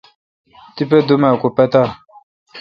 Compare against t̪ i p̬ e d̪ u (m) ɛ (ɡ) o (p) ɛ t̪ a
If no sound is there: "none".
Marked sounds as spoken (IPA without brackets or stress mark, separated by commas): m, k, p